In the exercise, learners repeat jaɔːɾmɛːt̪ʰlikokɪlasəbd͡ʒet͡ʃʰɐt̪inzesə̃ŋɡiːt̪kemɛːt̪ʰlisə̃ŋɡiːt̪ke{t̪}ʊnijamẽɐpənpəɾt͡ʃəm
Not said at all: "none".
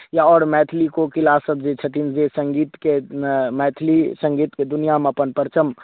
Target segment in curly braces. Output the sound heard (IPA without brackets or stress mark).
d̪